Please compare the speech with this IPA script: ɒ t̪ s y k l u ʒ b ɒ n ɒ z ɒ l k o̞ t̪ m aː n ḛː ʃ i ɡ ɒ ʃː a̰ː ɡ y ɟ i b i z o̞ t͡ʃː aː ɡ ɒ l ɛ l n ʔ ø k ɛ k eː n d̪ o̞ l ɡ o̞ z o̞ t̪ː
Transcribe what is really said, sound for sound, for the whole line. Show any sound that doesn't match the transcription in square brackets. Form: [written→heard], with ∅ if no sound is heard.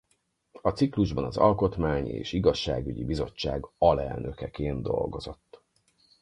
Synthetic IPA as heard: ɒ t̪ s [y→i] k l u ʒ b ɒ n ɒ z ɒ l k o̞ t̪ m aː [n→ɲ] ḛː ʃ i ɡ ɒ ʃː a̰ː ɡ y ɟ i b i z o̞ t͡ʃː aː ɡ ɒ l ɛ l n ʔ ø k ɛ k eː n d̪ o̞ l ɡ o̞ z o̞ t̪ː